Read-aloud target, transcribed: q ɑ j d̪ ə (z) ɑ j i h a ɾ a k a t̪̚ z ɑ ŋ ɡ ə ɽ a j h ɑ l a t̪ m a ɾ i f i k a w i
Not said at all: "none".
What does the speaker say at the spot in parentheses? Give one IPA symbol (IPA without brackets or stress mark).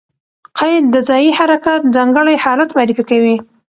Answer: z